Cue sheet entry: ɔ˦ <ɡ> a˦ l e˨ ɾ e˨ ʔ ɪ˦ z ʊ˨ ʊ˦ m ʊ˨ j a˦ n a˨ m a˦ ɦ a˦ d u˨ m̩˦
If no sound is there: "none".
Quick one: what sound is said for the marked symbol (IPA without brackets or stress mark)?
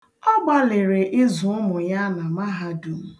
ɡ͡b